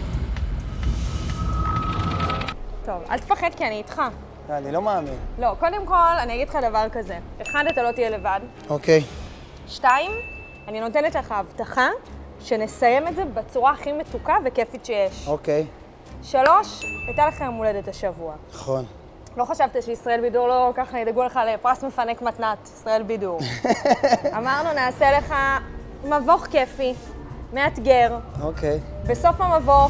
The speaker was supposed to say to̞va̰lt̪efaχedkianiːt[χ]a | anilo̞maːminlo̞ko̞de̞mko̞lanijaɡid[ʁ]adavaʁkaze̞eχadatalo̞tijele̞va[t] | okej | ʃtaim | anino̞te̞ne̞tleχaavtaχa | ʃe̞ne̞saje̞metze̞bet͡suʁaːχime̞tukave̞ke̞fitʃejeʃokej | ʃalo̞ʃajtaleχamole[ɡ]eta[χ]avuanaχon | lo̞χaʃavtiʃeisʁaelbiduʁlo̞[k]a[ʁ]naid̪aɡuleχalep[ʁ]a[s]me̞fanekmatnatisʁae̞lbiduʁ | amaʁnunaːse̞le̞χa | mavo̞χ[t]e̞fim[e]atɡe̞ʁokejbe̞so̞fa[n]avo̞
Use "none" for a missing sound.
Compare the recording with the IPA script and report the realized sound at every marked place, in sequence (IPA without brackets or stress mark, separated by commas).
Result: χ, χ, d, d, ʃ, k, χ, ʁ, s, k, e, m